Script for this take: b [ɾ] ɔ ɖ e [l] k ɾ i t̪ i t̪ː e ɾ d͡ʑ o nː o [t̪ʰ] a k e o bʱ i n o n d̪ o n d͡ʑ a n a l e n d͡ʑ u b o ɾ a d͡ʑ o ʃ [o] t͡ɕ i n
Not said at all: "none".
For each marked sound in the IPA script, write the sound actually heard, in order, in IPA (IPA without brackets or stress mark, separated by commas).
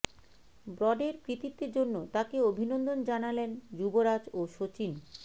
ɾ, ɾ, t̪, o